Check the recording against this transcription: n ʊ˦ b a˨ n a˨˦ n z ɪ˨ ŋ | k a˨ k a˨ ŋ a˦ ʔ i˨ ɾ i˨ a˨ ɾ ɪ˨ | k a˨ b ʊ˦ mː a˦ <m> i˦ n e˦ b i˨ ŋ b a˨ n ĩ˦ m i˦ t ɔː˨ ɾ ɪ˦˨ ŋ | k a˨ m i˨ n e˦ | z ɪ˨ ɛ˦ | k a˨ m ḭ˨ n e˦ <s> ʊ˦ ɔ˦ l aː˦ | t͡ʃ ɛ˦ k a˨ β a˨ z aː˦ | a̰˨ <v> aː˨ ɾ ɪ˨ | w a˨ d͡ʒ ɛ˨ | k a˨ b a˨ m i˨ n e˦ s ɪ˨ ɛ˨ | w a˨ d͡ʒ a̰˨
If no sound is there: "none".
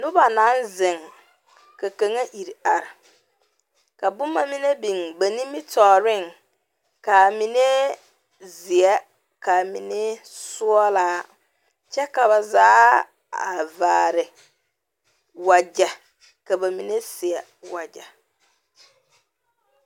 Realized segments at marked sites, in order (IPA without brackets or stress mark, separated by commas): m, s, v